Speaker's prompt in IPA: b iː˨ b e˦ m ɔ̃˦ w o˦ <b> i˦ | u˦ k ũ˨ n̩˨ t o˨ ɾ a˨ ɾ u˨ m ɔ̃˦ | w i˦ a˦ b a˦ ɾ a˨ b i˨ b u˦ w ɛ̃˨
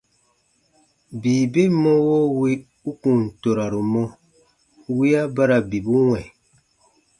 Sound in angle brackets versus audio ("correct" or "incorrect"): incorrect